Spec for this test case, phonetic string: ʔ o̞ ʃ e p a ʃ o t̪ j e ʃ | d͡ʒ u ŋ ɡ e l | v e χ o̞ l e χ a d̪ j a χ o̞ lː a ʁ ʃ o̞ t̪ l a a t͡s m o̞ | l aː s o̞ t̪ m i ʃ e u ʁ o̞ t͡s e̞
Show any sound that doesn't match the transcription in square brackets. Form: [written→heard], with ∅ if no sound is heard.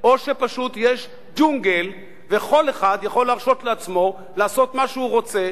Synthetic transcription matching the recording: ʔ o̞ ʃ e p a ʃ [o→u] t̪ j e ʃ | d͡ʒ u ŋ ɡ e l | v e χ o̞ l e χ a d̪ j a χ o̞ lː a ʁ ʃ o̞ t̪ l [a→e] a t͡s m o̞ | l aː s o̞ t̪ m [i→a] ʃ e u ʁ o̞ t͡s e̞